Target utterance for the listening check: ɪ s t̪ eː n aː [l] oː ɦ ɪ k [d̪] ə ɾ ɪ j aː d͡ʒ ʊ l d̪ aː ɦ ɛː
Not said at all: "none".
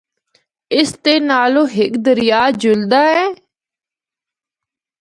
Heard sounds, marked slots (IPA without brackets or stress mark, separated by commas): l, d̪